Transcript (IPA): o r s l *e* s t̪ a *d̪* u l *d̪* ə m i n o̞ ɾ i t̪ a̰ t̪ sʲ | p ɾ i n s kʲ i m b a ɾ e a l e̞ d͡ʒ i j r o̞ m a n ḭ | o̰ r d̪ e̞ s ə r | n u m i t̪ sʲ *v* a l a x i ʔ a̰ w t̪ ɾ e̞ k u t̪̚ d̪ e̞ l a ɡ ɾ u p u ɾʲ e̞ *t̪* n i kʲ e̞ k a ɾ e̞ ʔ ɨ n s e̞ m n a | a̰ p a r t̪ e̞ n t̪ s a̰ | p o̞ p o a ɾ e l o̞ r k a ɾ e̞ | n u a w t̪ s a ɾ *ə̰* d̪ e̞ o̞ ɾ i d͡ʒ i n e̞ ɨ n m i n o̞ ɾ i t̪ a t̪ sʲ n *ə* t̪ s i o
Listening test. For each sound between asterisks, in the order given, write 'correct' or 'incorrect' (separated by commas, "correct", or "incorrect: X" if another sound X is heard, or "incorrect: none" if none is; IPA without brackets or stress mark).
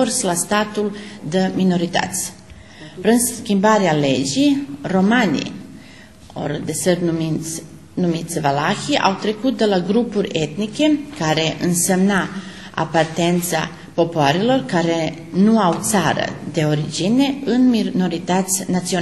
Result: incorrect: a, incorrect: t̪, correct, correct, correct, correct, incorrect: a